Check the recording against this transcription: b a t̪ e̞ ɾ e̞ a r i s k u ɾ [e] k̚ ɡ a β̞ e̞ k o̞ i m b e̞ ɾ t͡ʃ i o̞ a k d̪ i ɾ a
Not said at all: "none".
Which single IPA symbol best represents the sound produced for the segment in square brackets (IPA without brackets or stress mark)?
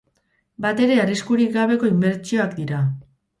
i